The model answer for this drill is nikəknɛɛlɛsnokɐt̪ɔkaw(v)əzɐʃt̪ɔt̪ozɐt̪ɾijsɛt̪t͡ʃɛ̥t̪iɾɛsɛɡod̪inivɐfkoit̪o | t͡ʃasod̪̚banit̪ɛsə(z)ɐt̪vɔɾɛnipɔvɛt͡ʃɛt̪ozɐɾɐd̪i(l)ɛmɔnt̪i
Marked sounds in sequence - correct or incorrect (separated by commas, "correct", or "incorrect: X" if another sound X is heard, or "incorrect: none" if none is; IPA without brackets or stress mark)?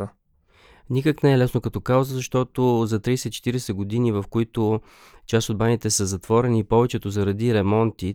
incorrect: z, correct, incorrect: ɾ